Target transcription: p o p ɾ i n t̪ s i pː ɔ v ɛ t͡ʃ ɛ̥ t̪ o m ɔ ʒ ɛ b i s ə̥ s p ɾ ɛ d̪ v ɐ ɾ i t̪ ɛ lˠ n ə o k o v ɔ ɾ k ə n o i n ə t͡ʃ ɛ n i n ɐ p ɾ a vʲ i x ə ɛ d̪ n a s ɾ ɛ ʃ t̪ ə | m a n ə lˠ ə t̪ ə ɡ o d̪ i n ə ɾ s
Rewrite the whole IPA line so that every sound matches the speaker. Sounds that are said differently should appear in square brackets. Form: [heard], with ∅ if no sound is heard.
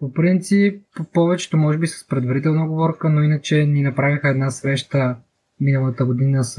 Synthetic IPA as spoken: p o p ɾ i n t̪ s i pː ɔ v ɛ t͡ʃ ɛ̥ t̪ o m ɔ ʒ ɛ b i s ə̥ s p ɾ ɛ d̪ v ɐ ɾ i t̪ ɛ lˠ n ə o [ɡ] o v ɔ ɾ k ə n o i n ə t͡ʃ ɛ n i n ɐ p ɾ a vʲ i x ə ɛ d̪ n a s ɾ ɛ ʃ t̪ ə | m [i] n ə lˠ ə t̪ ə ɡ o d̪ i n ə [∅] s